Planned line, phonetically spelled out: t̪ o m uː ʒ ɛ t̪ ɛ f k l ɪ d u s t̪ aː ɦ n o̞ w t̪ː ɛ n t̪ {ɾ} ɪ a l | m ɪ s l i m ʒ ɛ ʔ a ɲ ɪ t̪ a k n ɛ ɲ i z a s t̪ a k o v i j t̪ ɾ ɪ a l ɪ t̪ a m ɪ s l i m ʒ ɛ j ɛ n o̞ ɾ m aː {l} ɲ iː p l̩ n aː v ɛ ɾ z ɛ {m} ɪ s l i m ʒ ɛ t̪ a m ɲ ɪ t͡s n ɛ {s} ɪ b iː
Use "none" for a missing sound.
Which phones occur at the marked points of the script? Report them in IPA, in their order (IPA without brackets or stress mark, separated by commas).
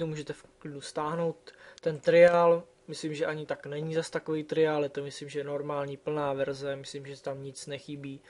ɾ, l, m, x